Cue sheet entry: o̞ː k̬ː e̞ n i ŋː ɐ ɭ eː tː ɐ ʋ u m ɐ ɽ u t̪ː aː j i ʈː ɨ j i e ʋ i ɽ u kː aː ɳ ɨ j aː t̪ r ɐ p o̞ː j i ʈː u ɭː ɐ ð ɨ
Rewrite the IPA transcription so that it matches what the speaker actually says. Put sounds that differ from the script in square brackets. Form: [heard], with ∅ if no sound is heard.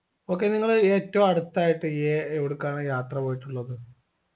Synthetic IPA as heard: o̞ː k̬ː e̞ n i ŋː ɐ ɭ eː tː ɐ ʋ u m ɐ ɽ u t̪ː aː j i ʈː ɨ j [e] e ʋ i ɽ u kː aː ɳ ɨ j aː t̪ r ɐ p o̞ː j i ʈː u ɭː ɐ ð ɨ